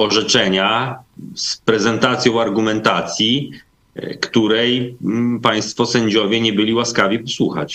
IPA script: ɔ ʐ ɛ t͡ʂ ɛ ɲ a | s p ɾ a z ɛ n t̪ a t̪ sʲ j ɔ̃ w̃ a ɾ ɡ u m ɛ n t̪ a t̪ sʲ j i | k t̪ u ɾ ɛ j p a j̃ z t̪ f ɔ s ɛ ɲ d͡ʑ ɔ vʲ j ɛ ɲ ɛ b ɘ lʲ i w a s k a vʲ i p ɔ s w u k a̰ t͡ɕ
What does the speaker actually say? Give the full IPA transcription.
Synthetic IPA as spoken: ɔ ʐ ɛ t͡ʂ ɛ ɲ a | s p ɾ ɛ z ɛ n t̪ a t̪ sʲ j ɔ̃ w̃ a ɾ ɡ u m ɛ n t̪ a t̪ sʲ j i | k t̪ u ɾ ɛ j p a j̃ s t̪ f ɔ s ɛ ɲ d͡ʑ ɔ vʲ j ɛ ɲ ɛ b ɘ lʲ i w a s k a vʲ i p ɔ s w u x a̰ t͡ɕ